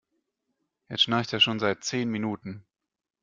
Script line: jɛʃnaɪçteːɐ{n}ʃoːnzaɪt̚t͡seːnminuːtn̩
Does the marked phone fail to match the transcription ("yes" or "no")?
yes